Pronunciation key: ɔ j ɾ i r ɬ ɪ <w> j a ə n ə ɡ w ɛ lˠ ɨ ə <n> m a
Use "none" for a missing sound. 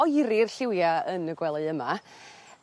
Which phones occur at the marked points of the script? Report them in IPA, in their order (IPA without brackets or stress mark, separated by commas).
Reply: w, none